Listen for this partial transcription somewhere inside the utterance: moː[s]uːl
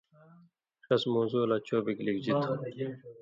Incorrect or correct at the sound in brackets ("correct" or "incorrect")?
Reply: incorrect